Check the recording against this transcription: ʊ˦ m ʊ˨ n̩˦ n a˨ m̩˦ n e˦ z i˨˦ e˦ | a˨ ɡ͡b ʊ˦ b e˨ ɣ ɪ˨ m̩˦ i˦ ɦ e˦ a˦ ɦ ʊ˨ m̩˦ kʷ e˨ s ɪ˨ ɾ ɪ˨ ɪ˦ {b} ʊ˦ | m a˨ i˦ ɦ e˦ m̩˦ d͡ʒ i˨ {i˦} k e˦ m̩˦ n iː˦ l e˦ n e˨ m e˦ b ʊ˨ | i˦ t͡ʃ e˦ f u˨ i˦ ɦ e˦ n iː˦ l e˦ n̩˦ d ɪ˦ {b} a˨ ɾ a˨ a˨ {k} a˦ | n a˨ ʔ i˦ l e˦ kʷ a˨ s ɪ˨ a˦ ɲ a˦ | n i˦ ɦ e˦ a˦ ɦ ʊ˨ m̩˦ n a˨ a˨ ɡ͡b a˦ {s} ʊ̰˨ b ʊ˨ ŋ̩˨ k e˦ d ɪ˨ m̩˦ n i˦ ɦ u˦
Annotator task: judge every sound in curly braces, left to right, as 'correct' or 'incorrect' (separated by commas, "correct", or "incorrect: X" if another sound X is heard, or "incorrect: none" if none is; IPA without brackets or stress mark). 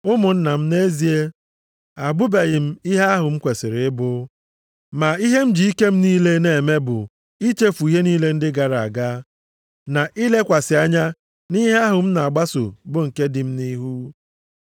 correct, correct, incorrect: ɡ, incorrect: ɡ, correct